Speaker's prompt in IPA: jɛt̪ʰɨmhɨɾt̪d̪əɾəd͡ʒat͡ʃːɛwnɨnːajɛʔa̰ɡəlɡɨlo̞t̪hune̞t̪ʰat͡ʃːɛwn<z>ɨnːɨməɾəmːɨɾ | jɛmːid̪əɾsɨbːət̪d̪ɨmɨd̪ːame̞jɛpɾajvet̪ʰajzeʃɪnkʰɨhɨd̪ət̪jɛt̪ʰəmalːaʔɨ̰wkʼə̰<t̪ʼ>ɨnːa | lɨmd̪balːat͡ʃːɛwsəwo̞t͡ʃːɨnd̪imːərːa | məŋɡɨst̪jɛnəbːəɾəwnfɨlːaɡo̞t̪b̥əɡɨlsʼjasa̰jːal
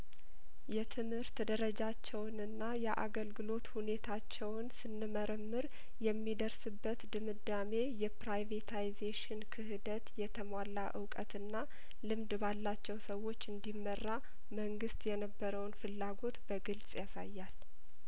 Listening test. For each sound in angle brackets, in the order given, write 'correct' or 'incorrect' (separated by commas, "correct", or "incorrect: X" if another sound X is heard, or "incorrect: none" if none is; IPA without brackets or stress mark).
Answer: incorrect: s, incorrect: t̪